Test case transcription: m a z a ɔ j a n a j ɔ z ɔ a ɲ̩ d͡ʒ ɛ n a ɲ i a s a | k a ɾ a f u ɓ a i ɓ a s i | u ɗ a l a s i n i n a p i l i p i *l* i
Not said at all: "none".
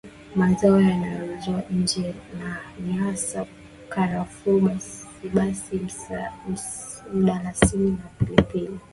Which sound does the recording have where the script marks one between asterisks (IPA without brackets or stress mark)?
l